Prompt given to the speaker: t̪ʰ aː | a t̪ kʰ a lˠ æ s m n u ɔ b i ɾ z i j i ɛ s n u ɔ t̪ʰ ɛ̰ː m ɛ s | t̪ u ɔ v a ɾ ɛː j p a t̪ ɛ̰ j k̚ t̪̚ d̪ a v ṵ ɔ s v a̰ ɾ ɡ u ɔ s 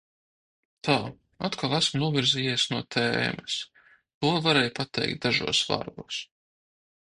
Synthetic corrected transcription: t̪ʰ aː | a t̪ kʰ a lˠ æ s m n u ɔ v i ɾ z i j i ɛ s n u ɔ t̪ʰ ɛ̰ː m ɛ s | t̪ u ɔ v a ɾ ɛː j p a t̪ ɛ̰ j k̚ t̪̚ d̪ a ʒ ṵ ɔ s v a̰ ɾ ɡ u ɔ s